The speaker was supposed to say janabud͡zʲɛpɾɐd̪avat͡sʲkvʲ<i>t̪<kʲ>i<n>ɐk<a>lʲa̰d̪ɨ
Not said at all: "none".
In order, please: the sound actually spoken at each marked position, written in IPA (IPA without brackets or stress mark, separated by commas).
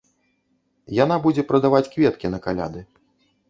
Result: ɛ, kʲ, n, a